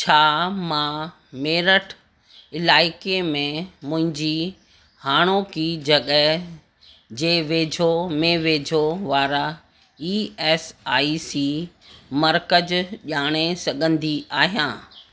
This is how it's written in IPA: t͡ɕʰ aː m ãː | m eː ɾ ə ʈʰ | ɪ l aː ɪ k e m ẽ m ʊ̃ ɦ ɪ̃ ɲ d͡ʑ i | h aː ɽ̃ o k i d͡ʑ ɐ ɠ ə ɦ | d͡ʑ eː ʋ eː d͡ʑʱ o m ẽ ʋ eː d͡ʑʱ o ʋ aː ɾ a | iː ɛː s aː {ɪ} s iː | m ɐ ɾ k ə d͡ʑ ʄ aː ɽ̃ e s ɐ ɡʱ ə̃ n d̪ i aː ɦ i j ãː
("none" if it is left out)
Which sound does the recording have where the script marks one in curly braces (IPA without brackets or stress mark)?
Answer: i